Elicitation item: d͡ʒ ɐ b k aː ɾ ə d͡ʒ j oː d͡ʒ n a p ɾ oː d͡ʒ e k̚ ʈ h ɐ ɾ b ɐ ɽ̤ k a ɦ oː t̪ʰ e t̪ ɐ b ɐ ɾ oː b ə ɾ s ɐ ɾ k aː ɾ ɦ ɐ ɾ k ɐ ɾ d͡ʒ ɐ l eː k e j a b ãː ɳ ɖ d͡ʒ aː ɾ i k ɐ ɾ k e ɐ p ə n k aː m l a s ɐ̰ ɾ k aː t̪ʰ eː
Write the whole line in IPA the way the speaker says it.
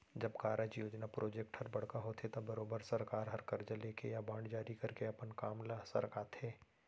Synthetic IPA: d͡ʒ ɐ b k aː ɾ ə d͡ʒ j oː d͡ʒ n a p ɾ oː d͡ʒ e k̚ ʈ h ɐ ɾ b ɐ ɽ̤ k a ɦ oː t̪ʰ e t̪ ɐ b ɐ ɾ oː b ə ɾ s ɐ ɾ k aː ɾ ɦ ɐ ɾ k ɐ ɾ d͡ʒ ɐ l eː k e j a b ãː ɳ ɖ d͡ʒ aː ɾ i k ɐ ɾ k e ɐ p ə n k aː m l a s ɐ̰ ɾ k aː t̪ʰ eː